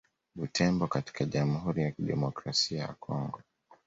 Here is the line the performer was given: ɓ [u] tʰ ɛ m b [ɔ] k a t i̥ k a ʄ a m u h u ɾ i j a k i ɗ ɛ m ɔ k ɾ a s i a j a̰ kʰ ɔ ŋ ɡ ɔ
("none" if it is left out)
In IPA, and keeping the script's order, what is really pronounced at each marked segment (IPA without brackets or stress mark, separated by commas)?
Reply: u, ɔ